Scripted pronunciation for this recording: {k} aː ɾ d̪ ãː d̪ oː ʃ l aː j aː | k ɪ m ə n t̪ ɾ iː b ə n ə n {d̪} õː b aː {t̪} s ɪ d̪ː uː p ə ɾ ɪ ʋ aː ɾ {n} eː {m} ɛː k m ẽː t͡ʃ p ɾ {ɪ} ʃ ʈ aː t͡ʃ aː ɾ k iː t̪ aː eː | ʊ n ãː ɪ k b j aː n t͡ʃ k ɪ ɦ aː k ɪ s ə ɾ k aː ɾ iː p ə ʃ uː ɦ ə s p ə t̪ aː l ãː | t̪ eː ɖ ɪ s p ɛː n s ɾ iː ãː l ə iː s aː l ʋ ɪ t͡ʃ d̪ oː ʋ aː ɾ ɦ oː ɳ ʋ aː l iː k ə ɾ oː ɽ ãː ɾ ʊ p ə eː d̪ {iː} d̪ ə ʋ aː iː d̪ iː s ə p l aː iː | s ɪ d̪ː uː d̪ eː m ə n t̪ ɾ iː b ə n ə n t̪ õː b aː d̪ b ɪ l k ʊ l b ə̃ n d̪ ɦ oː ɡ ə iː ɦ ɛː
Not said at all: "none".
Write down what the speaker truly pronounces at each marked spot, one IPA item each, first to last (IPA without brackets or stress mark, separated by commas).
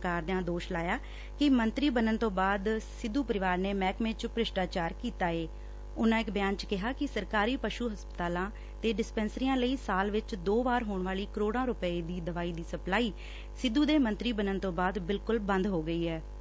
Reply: k, t̪, d̪, n, m, ɪ, iː